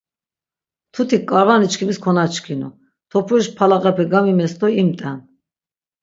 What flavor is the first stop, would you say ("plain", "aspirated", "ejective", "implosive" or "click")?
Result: aspirated